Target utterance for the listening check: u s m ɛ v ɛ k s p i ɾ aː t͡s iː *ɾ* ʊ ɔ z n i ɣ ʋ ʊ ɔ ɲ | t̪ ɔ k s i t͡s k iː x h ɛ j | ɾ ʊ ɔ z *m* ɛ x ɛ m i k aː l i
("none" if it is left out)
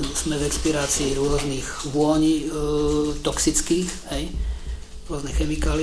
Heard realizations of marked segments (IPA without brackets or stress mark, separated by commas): ɾ, n